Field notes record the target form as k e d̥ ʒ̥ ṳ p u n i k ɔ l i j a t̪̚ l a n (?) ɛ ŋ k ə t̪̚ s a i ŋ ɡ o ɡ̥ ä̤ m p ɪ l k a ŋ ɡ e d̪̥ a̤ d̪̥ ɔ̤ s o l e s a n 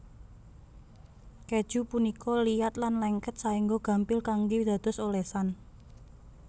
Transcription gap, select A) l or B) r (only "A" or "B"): A